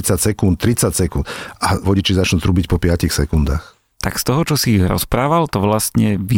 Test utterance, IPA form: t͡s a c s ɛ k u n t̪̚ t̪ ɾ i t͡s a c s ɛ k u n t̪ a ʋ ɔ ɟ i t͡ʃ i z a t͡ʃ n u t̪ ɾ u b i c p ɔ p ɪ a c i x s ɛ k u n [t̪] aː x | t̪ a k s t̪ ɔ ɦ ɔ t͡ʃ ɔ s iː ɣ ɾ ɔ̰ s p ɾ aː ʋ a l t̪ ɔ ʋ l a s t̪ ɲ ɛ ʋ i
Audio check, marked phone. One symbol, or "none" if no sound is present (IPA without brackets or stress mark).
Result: d̪